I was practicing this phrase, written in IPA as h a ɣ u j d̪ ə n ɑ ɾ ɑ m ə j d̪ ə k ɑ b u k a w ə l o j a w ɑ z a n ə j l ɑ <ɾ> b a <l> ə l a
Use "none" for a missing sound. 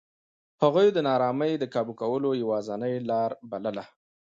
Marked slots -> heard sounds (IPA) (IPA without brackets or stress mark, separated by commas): ɾ, l